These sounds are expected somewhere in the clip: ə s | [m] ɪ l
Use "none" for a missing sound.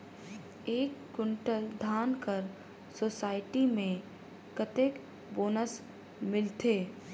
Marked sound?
m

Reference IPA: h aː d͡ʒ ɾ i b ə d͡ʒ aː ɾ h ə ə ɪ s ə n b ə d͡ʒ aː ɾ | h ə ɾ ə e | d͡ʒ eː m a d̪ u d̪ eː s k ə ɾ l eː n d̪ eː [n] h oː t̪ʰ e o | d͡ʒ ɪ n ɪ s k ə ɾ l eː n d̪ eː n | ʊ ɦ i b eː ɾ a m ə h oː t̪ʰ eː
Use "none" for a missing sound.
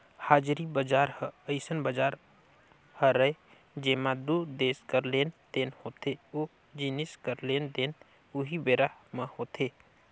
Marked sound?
n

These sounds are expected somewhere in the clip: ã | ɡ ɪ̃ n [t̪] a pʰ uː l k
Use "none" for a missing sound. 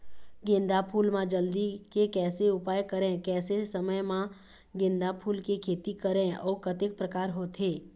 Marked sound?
d̪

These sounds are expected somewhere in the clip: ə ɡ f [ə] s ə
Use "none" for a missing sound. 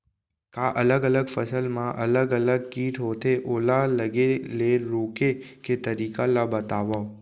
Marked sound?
ə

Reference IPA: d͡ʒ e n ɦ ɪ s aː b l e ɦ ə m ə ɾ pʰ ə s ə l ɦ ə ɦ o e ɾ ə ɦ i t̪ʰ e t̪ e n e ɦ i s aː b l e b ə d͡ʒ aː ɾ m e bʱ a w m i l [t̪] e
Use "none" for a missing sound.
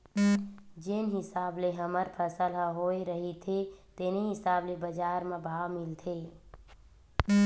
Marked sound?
t̪ʰ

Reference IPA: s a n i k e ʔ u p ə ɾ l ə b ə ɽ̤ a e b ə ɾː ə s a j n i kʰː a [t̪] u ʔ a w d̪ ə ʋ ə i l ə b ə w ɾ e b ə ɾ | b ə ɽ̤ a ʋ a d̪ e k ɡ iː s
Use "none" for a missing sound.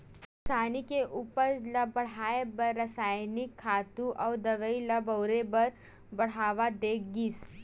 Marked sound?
t̪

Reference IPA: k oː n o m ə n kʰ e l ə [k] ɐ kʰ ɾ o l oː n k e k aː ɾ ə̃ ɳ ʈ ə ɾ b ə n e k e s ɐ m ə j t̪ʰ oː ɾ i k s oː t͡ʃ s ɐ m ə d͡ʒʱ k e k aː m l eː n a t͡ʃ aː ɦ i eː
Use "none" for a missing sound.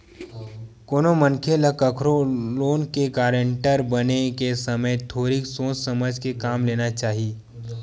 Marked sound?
k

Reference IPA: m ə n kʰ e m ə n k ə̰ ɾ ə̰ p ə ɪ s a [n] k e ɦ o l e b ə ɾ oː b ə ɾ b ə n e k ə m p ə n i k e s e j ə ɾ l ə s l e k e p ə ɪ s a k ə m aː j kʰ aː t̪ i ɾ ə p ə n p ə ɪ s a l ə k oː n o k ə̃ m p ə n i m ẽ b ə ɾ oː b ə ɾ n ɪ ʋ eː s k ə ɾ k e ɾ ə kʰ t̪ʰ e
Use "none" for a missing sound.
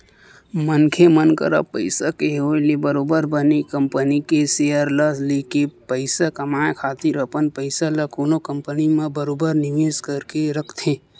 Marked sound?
none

